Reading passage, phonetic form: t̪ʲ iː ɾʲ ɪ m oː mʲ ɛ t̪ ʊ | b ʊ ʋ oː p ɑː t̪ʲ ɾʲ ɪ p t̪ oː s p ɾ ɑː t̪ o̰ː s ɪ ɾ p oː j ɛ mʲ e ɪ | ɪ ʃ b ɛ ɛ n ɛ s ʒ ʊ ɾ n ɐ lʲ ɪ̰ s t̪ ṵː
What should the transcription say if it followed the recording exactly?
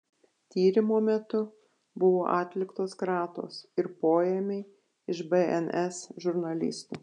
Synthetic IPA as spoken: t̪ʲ iː ɾʲ ɪ m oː mʲ ɛ t̪ ʊ | b ʊ ʋ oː ʔ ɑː t̪ʲ lʲ ɪ k t̪ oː s k ɾ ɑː t̪ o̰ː s ɪ ɾ p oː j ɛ mʲ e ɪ | ɪ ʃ b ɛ ɛ n ɛ s ʒ ʊ ɾ n ɐ lʲ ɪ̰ s t̪ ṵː